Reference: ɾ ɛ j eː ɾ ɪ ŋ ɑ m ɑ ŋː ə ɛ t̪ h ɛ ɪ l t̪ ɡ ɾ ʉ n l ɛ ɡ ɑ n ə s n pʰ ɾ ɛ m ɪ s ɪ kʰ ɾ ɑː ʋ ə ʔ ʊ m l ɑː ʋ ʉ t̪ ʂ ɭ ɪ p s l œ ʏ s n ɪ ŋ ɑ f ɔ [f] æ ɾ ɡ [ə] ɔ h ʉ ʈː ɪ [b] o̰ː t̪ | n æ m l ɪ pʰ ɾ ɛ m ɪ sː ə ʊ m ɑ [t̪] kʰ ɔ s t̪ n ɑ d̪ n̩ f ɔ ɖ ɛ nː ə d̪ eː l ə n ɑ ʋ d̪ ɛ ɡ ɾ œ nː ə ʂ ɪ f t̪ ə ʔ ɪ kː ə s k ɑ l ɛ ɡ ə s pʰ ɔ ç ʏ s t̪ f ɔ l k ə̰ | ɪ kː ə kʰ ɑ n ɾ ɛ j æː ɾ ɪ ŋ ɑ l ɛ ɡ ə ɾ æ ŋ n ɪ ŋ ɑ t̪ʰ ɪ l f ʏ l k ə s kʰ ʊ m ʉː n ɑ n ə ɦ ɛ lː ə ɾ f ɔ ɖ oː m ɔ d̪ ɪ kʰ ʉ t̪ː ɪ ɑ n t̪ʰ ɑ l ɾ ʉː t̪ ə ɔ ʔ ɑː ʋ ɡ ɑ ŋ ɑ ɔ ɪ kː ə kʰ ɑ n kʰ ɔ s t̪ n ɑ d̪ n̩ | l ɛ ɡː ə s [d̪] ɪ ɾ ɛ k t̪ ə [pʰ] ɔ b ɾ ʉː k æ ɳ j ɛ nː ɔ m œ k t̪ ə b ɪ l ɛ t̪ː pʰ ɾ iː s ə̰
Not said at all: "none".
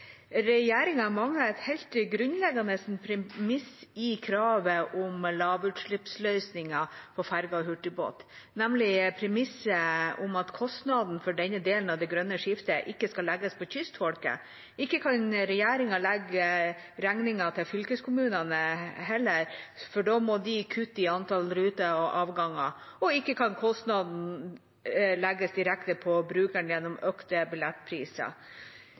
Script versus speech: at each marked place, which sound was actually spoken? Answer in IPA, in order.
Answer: f, ɑ, b, t̪, d̪, pʰ

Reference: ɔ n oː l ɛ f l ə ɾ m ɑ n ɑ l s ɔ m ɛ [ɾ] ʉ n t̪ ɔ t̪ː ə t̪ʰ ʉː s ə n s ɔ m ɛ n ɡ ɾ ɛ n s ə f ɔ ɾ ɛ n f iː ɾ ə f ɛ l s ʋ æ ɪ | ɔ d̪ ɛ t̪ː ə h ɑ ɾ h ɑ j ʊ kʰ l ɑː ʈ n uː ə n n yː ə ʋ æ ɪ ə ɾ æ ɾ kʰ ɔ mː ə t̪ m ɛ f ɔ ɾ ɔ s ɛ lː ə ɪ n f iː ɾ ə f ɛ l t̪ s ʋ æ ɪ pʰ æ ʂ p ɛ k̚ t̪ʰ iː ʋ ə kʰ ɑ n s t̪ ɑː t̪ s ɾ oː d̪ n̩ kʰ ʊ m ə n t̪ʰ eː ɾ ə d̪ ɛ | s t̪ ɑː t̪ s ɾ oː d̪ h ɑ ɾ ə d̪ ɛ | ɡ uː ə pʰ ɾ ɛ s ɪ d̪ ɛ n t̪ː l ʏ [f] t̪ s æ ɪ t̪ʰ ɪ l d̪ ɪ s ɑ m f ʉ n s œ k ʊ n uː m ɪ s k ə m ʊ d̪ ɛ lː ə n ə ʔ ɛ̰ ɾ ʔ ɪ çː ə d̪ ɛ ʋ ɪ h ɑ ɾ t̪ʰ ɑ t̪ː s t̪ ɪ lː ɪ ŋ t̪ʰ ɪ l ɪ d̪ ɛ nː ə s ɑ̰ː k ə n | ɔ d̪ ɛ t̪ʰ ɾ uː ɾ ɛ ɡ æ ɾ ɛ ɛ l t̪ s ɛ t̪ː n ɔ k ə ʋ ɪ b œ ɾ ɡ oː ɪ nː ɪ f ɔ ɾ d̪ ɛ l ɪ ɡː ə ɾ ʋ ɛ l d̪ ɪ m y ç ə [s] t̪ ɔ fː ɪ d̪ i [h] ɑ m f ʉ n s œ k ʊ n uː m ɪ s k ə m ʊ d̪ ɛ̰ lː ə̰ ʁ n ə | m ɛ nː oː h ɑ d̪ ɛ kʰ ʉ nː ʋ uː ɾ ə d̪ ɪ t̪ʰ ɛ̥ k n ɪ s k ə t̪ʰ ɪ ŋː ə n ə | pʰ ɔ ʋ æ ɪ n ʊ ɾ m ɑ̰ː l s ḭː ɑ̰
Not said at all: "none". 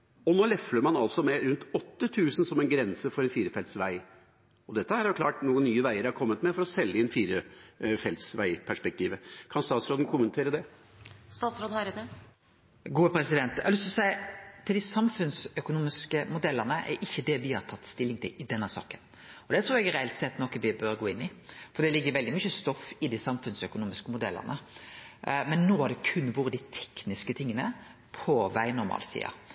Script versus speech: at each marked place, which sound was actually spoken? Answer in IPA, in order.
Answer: ɾ, s, s, s

